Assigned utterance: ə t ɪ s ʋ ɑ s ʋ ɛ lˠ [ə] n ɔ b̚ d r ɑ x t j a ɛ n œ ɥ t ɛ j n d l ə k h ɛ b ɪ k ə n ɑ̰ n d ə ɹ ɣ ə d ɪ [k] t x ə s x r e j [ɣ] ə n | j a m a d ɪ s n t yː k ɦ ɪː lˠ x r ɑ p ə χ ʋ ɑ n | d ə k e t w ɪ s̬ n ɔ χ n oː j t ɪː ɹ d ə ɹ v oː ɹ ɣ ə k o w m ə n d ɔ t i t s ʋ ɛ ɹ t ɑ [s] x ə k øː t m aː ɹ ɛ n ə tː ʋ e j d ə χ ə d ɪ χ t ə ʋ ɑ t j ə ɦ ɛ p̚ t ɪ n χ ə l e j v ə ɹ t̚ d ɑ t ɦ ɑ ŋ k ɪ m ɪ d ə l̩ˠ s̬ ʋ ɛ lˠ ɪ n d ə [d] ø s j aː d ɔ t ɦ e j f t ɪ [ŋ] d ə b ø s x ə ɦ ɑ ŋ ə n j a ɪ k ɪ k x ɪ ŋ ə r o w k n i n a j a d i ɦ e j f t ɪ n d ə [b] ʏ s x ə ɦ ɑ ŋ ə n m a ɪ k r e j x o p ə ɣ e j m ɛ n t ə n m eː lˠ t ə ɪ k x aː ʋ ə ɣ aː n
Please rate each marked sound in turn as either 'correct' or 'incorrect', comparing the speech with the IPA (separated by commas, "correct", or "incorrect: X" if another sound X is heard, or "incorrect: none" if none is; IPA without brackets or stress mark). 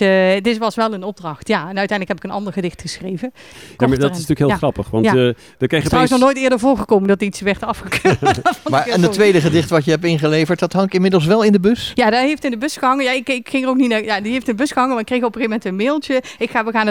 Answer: correct, incorrect: x, incorrect: v, incorrect: f, incorrect: b, incorrect: n, correct